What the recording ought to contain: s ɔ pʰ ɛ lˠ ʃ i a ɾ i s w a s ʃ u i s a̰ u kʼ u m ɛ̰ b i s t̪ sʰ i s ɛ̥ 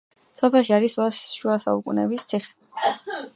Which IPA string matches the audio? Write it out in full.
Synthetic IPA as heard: s ɔ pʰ ɛ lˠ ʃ i a ɾ i s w a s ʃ u a s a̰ u kʼ u n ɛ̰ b i s t̪ sʰ i χ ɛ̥